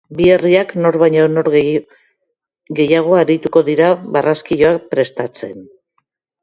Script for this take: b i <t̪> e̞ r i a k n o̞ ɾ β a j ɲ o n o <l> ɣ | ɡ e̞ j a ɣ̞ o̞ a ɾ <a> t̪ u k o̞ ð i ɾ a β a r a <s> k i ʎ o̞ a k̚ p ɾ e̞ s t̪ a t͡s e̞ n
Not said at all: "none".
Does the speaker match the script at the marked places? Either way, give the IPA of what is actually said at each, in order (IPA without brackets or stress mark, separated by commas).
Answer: none, ɾ, i, s